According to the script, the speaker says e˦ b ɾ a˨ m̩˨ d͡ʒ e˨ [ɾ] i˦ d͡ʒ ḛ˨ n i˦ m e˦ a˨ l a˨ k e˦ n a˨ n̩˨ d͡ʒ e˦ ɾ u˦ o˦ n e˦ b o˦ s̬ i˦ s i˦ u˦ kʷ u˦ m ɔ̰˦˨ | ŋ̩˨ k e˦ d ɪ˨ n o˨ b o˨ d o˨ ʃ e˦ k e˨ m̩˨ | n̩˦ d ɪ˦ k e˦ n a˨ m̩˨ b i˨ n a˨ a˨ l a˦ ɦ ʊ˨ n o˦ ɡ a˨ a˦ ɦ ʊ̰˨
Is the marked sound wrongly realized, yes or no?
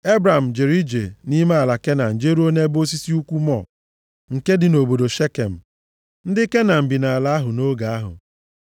no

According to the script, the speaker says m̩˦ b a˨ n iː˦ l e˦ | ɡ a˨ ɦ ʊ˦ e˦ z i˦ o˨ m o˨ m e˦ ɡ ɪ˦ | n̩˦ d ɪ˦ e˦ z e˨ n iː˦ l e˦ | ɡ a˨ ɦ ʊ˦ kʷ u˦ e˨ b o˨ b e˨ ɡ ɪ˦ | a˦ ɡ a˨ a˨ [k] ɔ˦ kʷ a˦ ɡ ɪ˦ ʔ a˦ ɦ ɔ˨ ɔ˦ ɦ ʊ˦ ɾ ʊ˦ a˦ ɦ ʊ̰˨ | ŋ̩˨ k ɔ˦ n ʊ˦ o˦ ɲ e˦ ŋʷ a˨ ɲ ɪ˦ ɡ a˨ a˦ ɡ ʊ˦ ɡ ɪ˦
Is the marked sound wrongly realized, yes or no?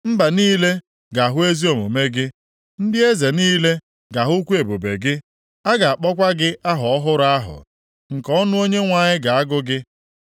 yes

